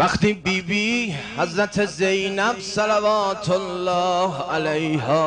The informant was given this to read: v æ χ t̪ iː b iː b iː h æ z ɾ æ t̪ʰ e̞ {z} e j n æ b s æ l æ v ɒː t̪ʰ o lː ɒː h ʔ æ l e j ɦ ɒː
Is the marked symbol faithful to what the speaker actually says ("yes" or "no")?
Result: yes